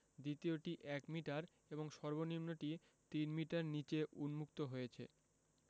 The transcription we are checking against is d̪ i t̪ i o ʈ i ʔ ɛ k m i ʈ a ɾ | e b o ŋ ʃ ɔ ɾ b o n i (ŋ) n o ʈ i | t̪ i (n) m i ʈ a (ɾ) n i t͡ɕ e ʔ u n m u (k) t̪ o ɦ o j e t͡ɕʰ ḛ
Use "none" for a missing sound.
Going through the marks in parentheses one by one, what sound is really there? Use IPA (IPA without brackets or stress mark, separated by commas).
m, n, ɾ, k